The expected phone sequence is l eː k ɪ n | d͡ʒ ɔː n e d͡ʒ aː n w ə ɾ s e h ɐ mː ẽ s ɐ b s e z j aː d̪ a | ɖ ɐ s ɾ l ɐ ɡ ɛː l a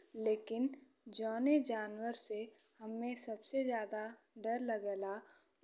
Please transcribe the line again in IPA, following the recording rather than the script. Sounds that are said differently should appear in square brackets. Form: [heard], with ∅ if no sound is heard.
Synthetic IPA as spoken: l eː k ɪ n | d͡ʒ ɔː n e d͡ʒ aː n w ə ɾ s e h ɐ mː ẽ s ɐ b s e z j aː d̪ a | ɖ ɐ [∅] ɾ l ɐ ɡ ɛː l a